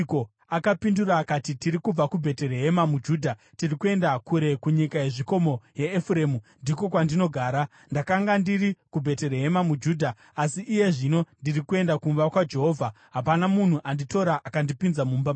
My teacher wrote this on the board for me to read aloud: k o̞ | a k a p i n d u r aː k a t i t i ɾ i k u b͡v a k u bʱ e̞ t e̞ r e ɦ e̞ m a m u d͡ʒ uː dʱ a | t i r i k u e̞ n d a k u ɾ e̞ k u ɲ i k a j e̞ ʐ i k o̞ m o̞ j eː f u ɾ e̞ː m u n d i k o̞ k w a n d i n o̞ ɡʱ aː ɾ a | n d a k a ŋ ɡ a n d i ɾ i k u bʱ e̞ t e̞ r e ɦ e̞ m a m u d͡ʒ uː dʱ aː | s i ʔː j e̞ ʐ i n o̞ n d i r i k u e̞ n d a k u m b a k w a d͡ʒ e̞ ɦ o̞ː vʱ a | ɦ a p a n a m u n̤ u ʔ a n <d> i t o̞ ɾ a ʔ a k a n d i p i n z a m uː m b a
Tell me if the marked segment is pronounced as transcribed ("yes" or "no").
yes